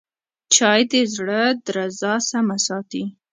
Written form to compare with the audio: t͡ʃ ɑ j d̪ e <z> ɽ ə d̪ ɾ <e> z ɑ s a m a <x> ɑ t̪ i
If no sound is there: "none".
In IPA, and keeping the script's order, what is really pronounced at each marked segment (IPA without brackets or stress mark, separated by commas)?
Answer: z, a, s